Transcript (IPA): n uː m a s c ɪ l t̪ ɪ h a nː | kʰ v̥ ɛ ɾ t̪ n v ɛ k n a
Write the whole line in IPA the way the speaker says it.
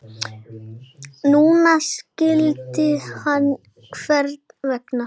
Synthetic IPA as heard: n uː n a s c ɪ l t̪ ɪ h a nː | kʰ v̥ ɛ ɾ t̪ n v ɛ k n a